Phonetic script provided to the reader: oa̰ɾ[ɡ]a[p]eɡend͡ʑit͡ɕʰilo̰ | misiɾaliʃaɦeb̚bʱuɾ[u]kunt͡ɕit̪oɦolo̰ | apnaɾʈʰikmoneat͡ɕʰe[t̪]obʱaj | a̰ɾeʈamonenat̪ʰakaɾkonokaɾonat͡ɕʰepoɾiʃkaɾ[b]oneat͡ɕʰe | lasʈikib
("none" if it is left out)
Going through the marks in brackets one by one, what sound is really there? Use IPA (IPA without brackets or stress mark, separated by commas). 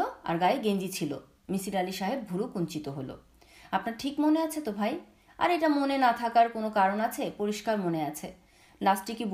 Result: ɡ, none, u, t̪, m